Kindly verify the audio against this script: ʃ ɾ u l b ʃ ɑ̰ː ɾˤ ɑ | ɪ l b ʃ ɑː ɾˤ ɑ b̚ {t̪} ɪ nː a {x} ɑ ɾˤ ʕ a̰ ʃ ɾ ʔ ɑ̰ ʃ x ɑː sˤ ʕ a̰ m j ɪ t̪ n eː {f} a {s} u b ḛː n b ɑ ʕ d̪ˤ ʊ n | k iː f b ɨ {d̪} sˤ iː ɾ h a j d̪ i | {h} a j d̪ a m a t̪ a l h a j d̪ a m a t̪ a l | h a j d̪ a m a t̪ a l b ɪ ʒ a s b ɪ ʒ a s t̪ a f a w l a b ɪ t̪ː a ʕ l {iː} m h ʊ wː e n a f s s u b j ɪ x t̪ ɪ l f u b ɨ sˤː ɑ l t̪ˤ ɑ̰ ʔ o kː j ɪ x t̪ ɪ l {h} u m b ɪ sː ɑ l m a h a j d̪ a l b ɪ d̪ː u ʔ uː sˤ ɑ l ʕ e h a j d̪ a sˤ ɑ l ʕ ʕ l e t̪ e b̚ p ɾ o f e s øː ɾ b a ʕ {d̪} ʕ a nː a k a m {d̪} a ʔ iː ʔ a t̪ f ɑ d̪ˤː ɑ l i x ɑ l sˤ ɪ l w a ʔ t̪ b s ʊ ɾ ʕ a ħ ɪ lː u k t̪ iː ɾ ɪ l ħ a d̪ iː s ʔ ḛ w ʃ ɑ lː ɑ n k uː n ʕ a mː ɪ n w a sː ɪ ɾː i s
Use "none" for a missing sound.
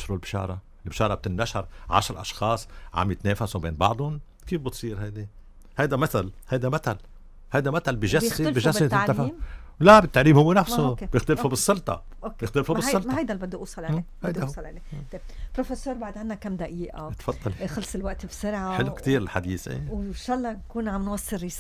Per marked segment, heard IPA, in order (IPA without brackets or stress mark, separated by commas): t̪, ʃ, f, s, t̪, h, iː, f, d̪, d̪